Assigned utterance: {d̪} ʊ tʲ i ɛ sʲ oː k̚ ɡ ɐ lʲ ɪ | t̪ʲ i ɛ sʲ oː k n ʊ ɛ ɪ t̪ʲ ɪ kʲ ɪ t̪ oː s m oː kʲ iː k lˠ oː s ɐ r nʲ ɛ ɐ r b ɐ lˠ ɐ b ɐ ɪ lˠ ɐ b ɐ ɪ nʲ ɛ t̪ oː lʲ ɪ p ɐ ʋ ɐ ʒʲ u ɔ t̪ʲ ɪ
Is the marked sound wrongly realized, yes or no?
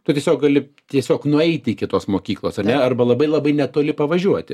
yes